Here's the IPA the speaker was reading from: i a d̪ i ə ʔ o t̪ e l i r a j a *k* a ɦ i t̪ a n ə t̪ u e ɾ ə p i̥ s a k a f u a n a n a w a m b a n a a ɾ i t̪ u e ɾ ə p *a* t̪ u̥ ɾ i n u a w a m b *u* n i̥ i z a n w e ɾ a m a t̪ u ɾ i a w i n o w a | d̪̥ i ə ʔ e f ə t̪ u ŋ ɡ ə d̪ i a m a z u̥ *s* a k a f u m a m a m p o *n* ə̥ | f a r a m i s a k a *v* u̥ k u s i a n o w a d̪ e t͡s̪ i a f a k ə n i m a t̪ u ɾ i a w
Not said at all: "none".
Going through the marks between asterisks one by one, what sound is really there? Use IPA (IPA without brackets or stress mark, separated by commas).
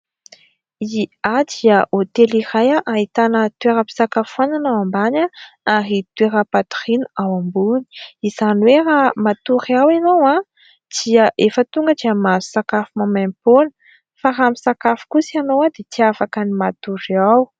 ʔ, a, u, s, n, f